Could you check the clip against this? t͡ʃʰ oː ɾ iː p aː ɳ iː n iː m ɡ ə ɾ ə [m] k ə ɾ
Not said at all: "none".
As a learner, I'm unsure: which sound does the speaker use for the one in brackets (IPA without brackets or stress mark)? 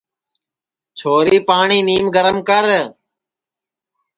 m